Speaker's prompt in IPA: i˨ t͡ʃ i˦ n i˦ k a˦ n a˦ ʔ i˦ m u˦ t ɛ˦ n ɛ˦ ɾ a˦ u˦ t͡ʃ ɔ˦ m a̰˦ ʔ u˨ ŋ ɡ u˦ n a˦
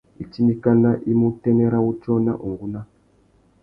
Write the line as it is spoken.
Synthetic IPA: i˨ t͡ʃ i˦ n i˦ k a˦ n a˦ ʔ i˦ m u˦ t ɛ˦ n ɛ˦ ɾ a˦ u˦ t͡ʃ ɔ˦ n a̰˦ ʔ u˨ ŋ ɡ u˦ n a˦